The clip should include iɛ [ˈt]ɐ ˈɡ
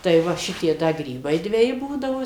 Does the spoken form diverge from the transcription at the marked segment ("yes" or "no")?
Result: yes